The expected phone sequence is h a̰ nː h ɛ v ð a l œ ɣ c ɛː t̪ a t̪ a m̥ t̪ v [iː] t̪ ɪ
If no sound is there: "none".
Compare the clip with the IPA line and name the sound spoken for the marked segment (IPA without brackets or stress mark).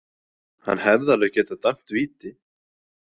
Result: iː